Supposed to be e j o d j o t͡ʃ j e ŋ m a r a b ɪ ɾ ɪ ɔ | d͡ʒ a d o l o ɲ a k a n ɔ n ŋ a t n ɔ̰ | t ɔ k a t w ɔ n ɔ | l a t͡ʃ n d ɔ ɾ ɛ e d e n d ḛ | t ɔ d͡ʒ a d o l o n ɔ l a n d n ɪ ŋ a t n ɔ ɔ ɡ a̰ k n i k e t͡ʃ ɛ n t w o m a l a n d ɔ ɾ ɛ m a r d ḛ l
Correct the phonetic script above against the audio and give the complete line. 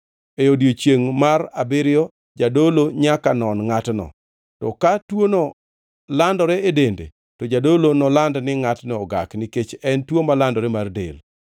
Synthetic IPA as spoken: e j o d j o t͡ʃ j e ŋ m a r a b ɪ ɾ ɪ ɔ | d͡ʒ a d o l o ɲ a k a n ɔ n ŋ a t n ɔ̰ | t ɔ k a t w o n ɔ | l a n d ɔ ɾ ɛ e d e n d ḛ | t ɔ d͡ʒ a d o l o n ɔ l a n d n ɪ ŋ a t n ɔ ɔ ɡ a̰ k n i k e t͡ʃ ɛ n t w o m a l a n d ɔ ɾ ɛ m a r d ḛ l